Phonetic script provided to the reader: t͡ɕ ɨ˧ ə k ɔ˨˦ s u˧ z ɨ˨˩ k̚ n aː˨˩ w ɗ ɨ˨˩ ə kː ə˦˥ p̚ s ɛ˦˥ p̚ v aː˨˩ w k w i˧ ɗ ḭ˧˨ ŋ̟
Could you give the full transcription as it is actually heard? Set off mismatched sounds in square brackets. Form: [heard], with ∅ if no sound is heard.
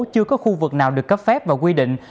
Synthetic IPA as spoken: t͡ɕ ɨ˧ ə k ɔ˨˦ [x] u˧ [v] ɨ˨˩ k̚ n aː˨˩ w ɗ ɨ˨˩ ə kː ə˦˥ p̚ [f] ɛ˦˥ p̚ v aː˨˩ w k w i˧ ɗ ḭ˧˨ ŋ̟